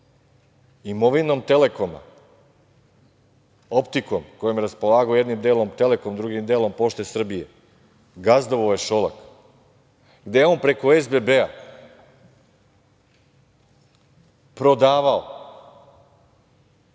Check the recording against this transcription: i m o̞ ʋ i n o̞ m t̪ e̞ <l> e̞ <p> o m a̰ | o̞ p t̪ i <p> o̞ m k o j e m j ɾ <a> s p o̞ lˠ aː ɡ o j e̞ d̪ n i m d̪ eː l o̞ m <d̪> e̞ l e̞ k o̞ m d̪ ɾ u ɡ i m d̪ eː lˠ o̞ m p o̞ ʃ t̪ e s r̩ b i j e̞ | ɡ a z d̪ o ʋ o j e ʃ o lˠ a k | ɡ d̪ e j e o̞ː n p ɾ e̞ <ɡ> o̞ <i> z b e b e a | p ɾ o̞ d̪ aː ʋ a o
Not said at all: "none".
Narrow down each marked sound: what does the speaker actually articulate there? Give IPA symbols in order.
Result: l, k, k, a, t̪, k, e

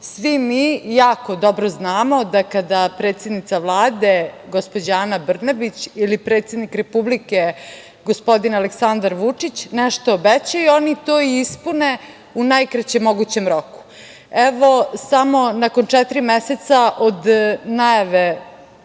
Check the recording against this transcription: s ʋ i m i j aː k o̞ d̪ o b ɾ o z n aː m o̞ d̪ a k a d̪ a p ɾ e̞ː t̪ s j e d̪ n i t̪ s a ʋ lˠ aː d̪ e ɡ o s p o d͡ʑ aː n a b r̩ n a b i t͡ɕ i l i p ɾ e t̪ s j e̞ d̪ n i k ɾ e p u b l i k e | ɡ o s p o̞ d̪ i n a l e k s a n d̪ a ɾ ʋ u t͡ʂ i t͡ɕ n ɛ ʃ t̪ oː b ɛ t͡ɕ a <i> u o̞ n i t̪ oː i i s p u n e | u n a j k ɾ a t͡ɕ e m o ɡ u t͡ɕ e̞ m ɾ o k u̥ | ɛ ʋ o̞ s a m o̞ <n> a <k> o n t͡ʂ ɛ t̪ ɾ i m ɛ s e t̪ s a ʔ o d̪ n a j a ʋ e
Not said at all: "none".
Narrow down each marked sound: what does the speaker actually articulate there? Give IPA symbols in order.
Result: j, n, k

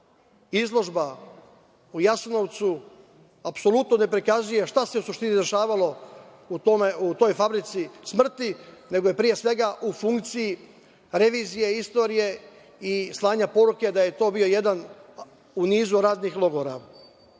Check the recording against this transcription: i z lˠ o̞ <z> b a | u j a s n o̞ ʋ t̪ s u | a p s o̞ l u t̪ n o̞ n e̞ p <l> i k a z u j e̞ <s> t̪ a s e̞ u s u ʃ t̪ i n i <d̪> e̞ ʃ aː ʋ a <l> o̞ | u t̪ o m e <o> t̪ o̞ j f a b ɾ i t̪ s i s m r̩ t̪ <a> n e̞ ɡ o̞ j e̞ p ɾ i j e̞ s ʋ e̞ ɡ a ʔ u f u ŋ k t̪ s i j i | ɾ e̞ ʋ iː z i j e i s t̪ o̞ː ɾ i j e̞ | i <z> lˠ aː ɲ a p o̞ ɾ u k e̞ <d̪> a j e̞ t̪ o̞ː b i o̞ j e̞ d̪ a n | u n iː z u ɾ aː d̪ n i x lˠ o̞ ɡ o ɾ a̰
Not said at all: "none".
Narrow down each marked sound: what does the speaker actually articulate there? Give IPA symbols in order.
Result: ʒ, ɾ, ʃ, d̪, l, u, i, s, d̪

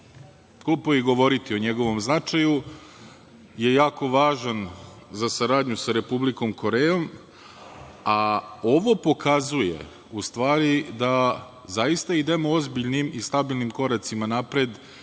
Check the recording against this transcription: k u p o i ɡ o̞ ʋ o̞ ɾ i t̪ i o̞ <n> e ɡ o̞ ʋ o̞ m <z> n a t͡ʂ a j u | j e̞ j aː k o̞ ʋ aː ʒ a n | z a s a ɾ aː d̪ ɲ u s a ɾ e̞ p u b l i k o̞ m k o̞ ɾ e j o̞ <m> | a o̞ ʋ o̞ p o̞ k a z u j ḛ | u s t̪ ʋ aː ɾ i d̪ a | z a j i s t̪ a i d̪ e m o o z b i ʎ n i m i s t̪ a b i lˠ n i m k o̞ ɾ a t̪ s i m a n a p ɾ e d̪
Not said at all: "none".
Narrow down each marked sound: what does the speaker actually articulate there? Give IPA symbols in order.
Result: ɲ, z, m

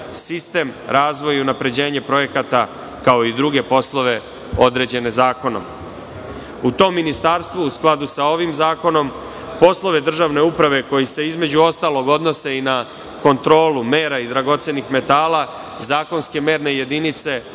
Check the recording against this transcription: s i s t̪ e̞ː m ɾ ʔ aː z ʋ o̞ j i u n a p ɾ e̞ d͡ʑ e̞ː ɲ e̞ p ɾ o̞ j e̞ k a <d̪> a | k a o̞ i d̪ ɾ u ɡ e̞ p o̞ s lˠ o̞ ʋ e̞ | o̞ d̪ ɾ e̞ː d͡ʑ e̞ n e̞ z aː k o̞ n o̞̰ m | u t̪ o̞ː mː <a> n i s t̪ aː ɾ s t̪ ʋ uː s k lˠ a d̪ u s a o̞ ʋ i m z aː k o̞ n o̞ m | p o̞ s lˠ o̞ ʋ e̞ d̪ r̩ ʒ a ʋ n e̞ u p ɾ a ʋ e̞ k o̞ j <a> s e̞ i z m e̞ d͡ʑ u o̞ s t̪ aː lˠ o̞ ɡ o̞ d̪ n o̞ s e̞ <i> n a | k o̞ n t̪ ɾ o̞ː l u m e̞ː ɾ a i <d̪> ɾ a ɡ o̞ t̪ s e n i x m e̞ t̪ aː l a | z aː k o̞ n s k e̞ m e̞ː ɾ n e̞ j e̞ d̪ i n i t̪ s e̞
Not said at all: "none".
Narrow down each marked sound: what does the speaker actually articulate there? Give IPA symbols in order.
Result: t̪, i, i, i, d̪

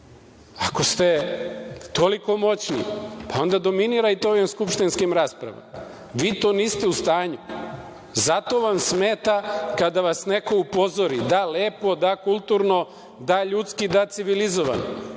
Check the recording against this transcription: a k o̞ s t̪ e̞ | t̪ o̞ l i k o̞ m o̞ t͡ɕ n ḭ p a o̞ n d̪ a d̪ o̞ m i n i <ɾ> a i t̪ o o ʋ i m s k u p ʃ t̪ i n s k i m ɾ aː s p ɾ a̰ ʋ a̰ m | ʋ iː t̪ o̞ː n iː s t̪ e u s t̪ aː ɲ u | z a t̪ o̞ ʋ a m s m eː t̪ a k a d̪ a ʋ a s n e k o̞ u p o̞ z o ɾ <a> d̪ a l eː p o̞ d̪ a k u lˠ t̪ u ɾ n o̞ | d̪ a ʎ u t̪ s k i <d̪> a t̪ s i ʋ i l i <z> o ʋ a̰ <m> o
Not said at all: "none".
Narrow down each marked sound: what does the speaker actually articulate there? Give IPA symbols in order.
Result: ɾ, i, d̪, z, n

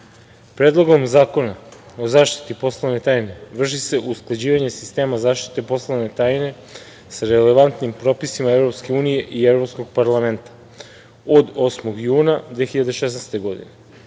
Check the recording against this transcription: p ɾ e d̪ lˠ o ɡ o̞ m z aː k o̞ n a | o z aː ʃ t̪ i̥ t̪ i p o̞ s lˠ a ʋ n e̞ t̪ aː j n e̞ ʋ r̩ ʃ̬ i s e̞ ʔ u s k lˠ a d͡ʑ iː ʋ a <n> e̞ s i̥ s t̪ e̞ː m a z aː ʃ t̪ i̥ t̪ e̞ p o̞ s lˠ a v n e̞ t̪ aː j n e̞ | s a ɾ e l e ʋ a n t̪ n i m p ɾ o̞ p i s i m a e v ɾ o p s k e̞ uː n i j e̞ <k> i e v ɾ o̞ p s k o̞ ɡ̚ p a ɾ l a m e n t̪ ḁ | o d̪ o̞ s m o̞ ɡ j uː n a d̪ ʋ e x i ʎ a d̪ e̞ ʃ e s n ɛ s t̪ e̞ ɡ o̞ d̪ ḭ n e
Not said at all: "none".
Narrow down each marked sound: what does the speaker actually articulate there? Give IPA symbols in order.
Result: ɲ, ʔ

